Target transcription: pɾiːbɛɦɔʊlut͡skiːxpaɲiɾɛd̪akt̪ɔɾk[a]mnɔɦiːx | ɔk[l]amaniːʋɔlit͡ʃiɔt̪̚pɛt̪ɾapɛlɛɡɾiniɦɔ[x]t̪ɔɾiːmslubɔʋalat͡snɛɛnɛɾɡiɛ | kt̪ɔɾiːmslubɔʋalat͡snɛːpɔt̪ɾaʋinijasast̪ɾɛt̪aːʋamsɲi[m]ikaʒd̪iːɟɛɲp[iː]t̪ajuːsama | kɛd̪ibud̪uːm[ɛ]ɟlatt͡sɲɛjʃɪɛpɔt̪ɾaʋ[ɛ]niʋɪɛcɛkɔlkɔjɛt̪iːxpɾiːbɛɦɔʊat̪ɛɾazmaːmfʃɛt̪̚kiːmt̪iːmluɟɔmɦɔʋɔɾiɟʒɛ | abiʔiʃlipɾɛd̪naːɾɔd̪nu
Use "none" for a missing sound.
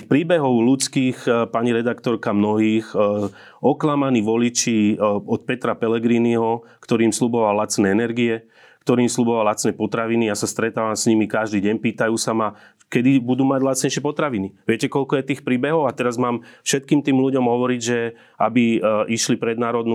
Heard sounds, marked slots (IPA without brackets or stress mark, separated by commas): a, l, k, m, iː, a, i